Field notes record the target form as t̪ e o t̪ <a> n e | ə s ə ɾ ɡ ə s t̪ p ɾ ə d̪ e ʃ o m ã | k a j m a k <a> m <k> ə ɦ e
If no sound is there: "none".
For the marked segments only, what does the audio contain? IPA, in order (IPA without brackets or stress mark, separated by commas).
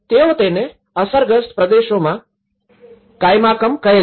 e, ə, k